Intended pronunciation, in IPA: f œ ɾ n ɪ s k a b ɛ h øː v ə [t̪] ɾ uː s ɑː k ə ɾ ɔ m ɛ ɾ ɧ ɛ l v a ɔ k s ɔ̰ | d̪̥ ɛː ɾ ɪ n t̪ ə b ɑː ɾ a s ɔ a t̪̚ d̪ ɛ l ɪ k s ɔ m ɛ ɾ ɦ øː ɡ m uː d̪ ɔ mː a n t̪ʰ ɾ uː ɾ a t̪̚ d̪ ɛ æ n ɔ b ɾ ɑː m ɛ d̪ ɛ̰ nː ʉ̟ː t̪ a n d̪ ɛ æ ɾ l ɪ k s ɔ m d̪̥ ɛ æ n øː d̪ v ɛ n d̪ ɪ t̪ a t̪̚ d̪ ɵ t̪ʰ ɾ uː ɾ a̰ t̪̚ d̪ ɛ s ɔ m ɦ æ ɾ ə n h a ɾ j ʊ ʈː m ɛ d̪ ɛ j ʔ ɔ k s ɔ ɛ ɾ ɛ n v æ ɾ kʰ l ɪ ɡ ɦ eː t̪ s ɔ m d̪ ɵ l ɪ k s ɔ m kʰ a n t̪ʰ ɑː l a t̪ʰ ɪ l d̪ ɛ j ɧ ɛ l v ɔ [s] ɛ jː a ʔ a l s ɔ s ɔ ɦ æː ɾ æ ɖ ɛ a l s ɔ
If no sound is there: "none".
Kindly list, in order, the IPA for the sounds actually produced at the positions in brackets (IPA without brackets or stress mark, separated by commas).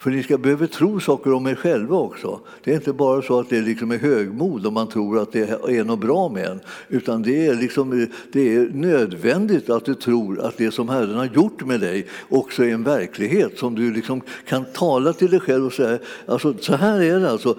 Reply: t̪ʰ, s